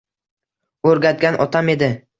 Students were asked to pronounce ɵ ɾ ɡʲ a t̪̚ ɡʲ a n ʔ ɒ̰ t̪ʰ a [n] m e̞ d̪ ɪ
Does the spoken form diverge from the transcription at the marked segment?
yes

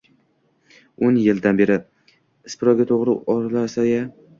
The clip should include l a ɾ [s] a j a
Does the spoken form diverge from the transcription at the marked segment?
no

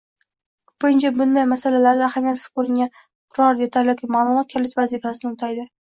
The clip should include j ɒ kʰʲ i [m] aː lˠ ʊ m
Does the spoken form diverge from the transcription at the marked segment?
no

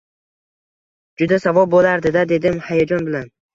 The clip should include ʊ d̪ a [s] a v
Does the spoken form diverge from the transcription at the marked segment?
no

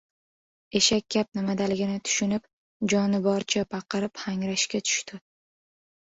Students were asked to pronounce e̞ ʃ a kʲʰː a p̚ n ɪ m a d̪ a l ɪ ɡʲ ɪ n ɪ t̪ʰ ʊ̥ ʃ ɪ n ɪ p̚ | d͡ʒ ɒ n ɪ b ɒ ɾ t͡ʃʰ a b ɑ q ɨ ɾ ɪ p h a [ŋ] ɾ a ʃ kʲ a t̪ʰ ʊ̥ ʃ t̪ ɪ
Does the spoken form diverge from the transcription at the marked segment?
no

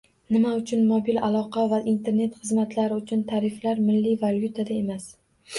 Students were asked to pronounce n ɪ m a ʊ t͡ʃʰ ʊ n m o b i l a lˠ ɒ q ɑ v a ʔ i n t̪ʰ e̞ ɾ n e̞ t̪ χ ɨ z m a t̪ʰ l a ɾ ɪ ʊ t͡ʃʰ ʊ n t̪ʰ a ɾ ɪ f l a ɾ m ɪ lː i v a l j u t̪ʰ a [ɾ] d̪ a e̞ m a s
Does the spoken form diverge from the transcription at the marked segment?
yes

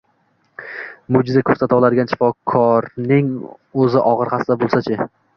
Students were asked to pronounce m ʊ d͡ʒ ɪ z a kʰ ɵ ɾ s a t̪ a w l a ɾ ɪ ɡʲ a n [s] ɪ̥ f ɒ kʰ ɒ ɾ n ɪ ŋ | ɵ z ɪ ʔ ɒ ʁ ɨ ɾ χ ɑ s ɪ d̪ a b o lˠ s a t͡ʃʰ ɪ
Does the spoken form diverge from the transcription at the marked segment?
yes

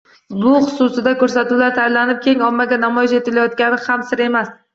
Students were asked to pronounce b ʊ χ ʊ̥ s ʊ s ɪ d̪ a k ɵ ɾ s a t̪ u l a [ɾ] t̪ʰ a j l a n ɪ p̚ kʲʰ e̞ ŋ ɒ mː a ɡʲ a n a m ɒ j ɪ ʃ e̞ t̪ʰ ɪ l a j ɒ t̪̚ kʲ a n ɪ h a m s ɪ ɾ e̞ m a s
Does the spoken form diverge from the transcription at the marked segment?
no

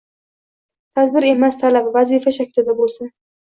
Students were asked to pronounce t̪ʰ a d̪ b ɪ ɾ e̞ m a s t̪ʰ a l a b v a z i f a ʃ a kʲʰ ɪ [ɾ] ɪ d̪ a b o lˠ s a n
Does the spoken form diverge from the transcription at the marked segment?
yes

